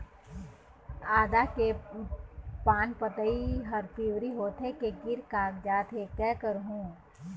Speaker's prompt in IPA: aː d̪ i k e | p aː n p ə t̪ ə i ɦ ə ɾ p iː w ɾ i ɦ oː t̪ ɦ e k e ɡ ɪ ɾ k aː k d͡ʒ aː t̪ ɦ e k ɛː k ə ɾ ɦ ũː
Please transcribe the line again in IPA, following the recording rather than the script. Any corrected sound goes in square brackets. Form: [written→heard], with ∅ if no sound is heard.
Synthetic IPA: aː d̪ [i→a] k e | p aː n p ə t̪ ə i ɦ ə ɾ p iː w ɾ i ɦ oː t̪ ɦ e k e ɡ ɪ ɾ k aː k d͡ʒ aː t̪ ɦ e k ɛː k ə ɾ ɦ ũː